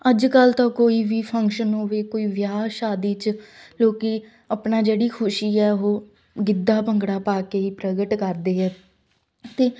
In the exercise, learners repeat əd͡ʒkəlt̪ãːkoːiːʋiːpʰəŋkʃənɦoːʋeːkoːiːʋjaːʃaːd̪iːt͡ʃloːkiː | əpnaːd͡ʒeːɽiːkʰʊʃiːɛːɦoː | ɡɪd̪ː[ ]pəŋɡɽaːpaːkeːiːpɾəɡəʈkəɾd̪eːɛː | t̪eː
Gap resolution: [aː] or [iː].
aː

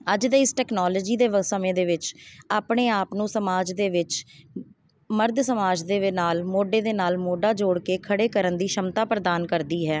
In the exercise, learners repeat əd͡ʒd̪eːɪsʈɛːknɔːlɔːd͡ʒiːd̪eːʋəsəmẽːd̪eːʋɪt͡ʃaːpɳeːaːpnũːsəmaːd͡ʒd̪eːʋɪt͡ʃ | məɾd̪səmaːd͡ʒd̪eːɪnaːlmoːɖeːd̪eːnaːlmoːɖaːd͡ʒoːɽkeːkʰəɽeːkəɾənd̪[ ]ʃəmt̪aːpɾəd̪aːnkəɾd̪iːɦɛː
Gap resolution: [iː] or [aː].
iː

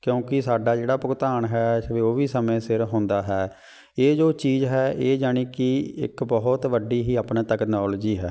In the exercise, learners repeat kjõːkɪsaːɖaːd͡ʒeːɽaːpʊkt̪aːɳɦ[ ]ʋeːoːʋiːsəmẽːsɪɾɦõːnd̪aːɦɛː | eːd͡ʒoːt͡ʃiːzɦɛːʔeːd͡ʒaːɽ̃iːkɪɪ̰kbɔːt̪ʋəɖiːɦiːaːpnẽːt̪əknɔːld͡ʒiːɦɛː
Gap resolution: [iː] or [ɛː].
ɛː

